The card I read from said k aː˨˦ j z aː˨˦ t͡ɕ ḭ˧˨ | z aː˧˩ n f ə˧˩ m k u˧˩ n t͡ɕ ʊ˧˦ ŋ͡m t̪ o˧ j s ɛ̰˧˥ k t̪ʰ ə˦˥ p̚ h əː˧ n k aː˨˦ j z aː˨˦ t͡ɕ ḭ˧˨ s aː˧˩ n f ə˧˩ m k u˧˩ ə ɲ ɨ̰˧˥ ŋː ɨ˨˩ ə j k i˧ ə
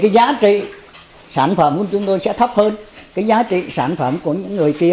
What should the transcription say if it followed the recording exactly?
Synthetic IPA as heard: k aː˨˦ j z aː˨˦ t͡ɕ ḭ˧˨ | s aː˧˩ n f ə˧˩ m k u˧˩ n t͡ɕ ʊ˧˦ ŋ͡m t̪ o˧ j s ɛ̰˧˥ t̪ʰ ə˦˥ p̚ h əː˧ n k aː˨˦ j z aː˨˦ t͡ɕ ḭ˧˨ s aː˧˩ n f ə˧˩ m k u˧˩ ə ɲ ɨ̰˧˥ ŋː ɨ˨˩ ə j k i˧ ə